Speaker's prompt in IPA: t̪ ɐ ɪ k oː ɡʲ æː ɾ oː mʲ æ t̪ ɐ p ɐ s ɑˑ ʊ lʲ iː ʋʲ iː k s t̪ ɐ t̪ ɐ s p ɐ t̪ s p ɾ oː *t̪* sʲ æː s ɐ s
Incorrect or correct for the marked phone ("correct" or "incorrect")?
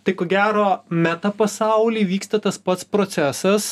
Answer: correct